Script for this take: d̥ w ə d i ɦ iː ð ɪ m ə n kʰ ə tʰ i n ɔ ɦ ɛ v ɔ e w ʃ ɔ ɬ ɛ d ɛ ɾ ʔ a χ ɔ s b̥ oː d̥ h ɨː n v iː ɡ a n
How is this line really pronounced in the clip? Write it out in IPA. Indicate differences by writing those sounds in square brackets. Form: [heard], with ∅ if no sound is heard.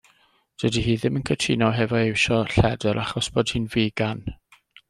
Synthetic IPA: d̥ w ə d i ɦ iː ð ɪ m ə n kʰ ə tʰ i n ɔ ɦ ɛ v ɔ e w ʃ ɔ ɬ ɛ d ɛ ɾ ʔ a χ ɔ s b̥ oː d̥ h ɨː n v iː ɡ a n